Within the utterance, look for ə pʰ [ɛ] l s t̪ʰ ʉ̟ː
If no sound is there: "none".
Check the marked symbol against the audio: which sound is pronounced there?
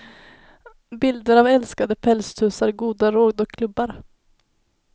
ɛ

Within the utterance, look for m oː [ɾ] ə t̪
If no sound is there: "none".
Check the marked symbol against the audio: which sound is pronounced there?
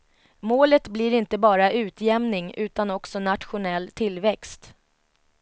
l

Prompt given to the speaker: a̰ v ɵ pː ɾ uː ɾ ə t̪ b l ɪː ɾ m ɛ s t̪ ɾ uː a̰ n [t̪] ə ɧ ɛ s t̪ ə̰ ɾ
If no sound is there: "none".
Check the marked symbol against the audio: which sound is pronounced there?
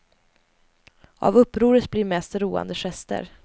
d̪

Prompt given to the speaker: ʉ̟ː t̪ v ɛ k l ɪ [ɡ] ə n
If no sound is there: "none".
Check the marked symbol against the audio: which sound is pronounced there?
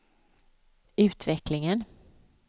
ŋ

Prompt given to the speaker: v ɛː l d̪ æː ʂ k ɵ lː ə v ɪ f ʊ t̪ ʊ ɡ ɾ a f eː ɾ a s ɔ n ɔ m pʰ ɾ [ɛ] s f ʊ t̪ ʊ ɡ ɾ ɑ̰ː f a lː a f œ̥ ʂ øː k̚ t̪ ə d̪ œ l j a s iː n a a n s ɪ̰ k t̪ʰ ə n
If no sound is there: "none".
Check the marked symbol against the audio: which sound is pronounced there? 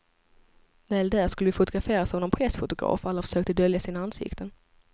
ɛ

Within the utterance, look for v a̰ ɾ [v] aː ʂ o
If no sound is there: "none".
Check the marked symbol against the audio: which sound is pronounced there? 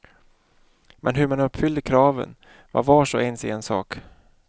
v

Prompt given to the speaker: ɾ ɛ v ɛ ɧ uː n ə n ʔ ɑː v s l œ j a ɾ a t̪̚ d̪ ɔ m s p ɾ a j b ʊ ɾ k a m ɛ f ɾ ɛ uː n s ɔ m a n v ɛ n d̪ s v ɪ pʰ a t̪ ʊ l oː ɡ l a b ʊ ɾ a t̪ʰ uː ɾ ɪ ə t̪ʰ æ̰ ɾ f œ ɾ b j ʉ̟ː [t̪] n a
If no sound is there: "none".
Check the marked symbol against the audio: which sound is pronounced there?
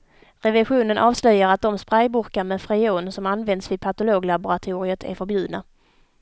d̪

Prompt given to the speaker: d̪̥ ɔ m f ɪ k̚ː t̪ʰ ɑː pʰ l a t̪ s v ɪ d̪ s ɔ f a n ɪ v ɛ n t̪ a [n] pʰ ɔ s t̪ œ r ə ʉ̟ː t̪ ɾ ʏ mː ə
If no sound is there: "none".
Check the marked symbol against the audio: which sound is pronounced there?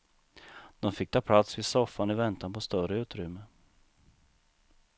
n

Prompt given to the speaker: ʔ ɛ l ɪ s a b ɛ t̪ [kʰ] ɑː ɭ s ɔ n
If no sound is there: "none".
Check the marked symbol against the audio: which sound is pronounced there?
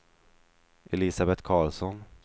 kʰ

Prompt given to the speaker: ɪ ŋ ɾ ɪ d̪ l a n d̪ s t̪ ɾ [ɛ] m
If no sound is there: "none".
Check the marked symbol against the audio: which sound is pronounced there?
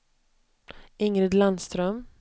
œ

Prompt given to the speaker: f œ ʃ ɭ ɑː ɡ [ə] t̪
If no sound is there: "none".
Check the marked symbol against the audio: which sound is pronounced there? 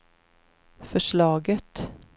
ə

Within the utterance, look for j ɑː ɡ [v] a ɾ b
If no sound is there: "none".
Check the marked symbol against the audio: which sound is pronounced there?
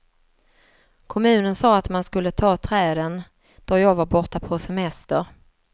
v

